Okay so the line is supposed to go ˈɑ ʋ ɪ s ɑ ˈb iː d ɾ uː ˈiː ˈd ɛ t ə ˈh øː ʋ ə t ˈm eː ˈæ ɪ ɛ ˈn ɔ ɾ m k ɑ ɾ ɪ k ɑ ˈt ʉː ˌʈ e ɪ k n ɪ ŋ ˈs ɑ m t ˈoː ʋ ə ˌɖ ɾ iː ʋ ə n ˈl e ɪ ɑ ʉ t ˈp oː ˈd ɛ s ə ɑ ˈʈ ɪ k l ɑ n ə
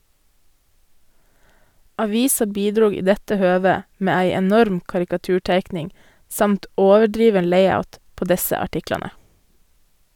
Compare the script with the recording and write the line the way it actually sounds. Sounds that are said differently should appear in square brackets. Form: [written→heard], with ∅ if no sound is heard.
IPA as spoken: ˈɑ ʋ ɪ s ɑ ˈb iː d ɾ uː ˈiː ˈd ɛ t ə ˈh øː ʋ ə [t→∅] ˈm eː ˈæ ɪ ɛ ˈn ɔ ɾ m k ɑ ɾ ɪ k ɑ ˈt ʉː ˌʈ e ɪ k n ɪ ŋ ˈs ɑ m t ˈoː ʋ ə ˌɖ ɾ iː ʋ ə n ˈl e ɪ ɑ ʉ t ˈp oː ˈd ɛ s ə ɑ ˈʈ ɪ k l ɑ n ə

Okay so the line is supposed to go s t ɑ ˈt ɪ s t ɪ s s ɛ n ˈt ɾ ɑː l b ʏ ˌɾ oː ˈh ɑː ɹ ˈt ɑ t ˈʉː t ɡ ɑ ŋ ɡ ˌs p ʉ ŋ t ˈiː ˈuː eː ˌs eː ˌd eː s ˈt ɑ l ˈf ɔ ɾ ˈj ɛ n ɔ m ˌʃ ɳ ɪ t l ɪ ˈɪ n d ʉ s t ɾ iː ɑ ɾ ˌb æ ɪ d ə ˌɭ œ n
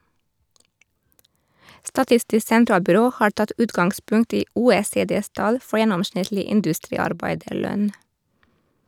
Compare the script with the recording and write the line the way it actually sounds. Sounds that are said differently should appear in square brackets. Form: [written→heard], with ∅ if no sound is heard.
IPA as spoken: s t ɑ ˈt ɪ s t ɪ s s ɛ n ˈt ɾ ɑː l b ʏ ˌɾ oː ˈh ɑː ɹ ˈt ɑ t ˈʉː t ɡ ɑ ŋ ɡ ˌs p ʉ ŋ t ˈiː ˈuː eː ˌs eː ˌd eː s ˈt ɑ l ˈf ɔ [ɾ→ɹ] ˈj ɛ n ɔ m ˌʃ ɳ ɪ t l ɪ ˈɪ n d ʉ s t ɾ iː ɑ ɾ ˌb æ ɪ d ə ˌɭ œ n

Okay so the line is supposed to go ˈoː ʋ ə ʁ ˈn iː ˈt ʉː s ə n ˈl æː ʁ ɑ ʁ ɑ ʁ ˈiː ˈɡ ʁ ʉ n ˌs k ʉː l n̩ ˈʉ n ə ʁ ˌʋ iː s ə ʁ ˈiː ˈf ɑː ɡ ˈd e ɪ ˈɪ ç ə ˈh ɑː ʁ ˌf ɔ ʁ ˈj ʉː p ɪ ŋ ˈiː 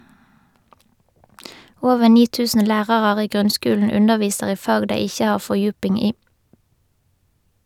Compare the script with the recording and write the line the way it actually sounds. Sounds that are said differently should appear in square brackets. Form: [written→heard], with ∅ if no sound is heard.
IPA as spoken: ˈoː ʋ ə ʁ ˈn iː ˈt ʉː s ə n ˈl æː ʁ ɑ ʁ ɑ ʁ ˈiː ˈɡ ʁ ʉ n ˌs k ʉː l n̩ ˈʉ n ə ʁ ˌʋ iː s ə ʁ ˈiː ˈf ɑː ɡ ˈd e ɪ ˈɪ ç ə ˈh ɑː ʁ ˌf ɔ ʁ ˈj ʉː p ɪ ŋ ˈiː

